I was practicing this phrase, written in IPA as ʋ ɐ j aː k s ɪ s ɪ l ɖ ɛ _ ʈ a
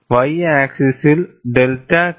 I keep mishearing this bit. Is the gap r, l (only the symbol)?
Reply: l